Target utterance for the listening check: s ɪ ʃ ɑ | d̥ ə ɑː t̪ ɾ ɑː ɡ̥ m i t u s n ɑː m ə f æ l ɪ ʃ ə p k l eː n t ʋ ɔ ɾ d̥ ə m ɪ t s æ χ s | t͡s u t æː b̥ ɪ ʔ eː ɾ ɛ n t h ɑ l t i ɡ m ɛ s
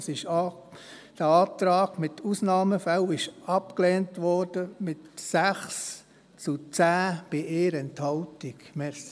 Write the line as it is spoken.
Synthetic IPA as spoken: s ɪ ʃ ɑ | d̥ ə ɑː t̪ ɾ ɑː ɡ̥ m ɪ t u s n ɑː m ə f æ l ɪ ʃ ɑ p k l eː n t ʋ ɔ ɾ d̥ ə m ɪ t s æ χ s | t͡s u t͡s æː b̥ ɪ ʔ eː ɾ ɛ n t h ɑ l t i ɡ m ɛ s